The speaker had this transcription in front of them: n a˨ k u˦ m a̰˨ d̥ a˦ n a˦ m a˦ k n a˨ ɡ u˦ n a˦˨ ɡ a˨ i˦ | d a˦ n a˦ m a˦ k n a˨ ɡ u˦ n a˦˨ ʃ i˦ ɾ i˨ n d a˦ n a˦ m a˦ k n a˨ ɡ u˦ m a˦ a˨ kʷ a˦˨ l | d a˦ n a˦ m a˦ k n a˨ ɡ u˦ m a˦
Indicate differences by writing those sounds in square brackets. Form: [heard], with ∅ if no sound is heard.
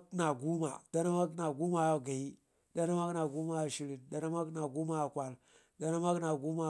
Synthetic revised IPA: n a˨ [ɡ] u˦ m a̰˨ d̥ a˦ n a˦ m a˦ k n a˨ ɡ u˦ [m] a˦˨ ɡ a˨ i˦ | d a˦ n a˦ m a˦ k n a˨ ɡ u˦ [m] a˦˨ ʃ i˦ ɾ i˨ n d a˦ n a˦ m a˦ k n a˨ ɡ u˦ m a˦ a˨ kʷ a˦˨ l | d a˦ n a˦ m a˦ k n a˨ ɡ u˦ m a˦